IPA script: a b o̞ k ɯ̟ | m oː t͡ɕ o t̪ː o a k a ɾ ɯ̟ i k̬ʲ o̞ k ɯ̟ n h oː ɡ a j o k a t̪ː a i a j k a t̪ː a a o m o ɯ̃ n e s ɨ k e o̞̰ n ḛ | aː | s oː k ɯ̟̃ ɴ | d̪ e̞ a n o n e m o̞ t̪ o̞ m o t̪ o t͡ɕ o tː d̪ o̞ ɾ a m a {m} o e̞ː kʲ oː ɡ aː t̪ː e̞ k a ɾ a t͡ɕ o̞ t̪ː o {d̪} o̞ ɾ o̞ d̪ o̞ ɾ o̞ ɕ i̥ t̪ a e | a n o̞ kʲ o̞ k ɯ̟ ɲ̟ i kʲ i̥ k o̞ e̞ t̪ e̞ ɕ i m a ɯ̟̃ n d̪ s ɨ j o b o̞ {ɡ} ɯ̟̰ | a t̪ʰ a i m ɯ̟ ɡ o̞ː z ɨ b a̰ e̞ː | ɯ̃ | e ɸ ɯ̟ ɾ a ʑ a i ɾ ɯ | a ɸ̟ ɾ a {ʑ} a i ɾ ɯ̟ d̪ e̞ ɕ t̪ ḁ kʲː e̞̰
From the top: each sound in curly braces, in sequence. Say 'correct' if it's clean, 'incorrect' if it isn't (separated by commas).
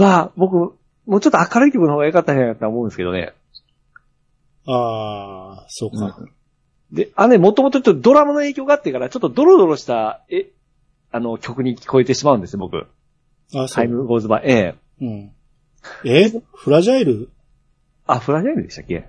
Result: incorrect, correct, incorrect, correct